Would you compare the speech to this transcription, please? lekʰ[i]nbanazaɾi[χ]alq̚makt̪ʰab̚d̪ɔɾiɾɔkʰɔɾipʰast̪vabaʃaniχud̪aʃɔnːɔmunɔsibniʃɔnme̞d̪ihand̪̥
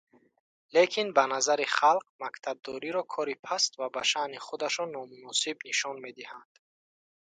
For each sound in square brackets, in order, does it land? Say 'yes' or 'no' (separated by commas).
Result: yes, yes